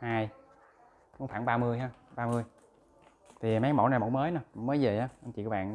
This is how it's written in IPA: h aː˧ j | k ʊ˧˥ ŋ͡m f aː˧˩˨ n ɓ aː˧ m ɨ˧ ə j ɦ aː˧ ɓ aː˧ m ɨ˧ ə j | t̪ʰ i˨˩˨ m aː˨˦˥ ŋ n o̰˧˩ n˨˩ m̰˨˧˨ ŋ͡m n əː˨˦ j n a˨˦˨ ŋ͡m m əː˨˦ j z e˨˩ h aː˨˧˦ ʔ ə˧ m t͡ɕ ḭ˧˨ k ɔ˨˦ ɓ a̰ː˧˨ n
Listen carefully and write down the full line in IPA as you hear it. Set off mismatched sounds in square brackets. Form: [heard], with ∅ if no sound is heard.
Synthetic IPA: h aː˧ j | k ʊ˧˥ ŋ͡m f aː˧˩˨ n ɓ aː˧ m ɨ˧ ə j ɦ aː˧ ɓ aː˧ m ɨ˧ ə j | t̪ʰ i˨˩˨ m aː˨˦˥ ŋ [m] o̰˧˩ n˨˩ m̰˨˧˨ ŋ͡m [m] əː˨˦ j n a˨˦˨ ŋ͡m m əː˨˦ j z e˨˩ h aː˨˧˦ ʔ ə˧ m t͡ɕ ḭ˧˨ k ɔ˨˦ ɓ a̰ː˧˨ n